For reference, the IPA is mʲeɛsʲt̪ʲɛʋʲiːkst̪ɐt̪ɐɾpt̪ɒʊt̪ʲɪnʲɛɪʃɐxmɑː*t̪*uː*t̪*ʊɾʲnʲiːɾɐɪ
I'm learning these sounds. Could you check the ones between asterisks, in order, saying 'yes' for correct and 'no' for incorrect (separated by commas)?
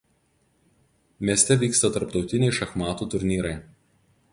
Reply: yes, yes